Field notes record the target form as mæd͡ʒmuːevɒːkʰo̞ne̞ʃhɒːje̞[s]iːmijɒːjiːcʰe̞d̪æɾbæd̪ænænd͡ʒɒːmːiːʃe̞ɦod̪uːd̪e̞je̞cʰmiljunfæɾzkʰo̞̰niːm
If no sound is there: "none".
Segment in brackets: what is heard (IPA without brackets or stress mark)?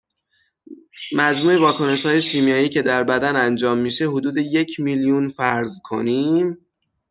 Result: ʃ